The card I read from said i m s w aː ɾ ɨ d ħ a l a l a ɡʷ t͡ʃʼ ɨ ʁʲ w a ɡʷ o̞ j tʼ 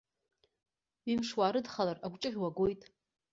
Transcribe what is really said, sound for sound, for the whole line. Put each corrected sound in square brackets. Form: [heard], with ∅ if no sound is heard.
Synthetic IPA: i m [ʂ] w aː ɾ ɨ d [χ] a l a [r] a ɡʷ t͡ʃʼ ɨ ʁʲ w a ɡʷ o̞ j tʼ